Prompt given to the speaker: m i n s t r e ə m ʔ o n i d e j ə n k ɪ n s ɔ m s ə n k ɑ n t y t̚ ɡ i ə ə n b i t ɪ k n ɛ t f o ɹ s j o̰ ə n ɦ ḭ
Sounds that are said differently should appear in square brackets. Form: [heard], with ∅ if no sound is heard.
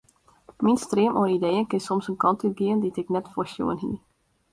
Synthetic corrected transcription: m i n s t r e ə m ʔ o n i d e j ə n k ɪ n s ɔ m s ə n k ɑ n t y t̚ ɡ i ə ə n [d] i t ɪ k n ɛ t f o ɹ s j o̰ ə n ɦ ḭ